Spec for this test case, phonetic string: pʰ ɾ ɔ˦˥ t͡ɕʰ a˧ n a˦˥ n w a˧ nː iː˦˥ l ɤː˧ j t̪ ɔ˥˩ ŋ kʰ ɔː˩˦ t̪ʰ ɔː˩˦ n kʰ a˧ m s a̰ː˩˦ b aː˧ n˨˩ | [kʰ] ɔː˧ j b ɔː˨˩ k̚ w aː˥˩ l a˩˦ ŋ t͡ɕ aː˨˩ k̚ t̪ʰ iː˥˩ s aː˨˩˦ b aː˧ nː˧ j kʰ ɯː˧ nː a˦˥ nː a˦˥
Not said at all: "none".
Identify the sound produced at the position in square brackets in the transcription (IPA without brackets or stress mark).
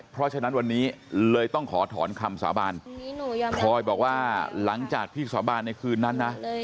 kʰ